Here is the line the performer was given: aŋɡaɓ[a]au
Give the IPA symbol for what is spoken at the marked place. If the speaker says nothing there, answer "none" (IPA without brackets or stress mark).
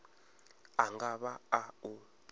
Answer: a